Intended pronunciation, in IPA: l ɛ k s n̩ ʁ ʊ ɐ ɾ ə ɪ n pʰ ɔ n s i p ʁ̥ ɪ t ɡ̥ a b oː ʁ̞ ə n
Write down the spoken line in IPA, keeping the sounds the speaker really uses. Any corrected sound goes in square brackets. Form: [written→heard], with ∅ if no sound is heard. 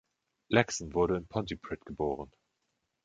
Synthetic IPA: l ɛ k s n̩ [ʁ→v] ʊ ɐ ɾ ə ɪ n pʰ ɔ n [s→t] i p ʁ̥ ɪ t ɡ̥ [a→ə] b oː ʁ̞ ə n